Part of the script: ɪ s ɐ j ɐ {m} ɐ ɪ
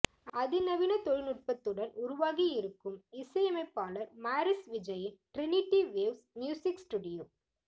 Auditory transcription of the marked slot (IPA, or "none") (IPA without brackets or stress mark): m